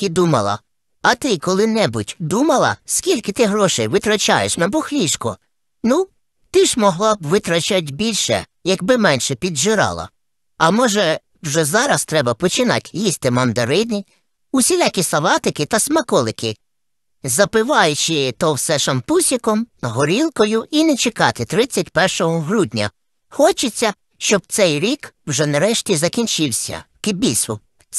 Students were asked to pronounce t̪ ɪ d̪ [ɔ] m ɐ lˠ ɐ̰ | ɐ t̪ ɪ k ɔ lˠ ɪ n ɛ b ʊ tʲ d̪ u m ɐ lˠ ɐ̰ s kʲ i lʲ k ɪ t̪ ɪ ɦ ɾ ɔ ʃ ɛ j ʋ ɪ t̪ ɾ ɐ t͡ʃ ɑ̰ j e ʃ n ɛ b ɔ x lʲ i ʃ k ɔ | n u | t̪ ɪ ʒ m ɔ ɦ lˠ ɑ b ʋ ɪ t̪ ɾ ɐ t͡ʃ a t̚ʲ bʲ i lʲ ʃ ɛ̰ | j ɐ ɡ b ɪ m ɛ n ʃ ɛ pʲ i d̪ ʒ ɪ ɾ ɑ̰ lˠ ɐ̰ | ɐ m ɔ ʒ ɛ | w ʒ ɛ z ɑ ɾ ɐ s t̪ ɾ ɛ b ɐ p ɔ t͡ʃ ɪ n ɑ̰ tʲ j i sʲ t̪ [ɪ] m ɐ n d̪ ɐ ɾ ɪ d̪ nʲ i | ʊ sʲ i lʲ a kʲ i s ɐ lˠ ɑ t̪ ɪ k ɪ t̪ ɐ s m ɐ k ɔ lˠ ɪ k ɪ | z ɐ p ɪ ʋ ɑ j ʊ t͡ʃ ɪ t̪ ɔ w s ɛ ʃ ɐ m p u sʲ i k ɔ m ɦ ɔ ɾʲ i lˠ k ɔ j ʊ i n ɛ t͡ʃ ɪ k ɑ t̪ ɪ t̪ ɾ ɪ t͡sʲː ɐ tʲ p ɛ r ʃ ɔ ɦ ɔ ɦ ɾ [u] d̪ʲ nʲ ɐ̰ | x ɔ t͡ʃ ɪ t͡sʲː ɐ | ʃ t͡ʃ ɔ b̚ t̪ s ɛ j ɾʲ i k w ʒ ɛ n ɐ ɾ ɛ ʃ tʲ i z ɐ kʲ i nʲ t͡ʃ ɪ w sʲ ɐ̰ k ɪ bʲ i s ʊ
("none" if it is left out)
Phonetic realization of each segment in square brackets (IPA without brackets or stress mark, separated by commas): u, ɪ, u